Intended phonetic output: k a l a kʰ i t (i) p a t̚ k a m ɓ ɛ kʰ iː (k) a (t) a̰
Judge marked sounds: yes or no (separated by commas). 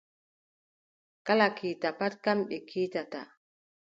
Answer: no, no, yes